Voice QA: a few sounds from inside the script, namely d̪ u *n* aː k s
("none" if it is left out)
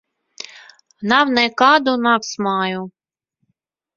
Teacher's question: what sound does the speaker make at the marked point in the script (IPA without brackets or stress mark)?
n